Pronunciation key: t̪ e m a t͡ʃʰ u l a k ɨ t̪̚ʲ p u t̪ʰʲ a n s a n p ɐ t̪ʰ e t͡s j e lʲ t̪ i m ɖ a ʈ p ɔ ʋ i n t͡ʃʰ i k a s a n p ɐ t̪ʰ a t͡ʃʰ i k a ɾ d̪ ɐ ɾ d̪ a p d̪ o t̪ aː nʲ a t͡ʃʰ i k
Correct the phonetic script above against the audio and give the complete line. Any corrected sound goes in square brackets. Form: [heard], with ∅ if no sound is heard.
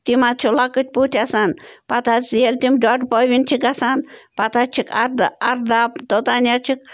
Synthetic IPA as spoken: t̪ [i] m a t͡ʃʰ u l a k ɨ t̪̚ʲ p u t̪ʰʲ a [∅] s a n p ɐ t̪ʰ [a] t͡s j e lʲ t̪ i m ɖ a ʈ p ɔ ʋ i n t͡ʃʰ i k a s a n p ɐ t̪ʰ a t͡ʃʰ i k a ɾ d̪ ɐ ɾ d̪ a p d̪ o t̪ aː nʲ a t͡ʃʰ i k